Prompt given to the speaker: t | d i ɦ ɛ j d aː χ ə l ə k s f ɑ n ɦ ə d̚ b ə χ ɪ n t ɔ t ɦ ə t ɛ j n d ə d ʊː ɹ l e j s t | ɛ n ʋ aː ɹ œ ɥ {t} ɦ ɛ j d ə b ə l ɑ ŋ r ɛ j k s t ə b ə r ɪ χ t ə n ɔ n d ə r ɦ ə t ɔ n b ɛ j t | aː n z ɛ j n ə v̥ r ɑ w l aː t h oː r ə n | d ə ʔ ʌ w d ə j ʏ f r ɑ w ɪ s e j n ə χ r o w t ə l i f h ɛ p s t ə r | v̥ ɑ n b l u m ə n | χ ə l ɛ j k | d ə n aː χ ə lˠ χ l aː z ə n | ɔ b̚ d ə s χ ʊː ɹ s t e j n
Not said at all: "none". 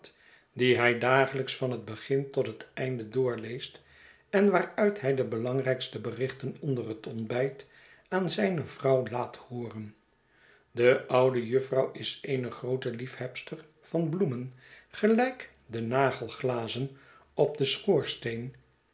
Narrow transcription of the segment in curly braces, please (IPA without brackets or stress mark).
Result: t